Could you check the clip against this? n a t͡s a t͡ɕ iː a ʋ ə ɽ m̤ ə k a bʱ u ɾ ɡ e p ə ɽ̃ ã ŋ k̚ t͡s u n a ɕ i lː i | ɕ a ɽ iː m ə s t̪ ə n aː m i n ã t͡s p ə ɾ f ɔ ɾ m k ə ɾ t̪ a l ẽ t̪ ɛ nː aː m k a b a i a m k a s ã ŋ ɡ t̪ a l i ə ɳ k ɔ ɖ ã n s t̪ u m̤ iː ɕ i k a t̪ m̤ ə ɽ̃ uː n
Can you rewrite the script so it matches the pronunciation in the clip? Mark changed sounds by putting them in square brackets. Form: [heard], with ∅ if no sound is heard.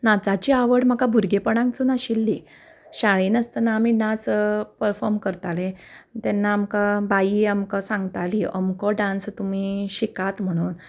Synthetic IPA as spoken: n a t͡s a t͡ɕ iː a ʋ ə ɽ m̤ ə k a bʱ u ɾ ɡ e p ə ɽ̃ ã ŋ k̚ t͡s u n a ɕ i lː i | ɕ a [ɭ] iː [n] ə s t̪ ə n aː m i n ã t͡s p ə ɾ f ɔ ɾ m k ə ɾ t̪ a l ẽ t̪ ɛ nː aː m k a b a i a m k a s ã ŋ ɡ t̪ a l i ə [m] k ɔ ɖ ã n s t̪ u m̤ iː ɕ i k a t̪ m̤ ə ɽ̃ uː n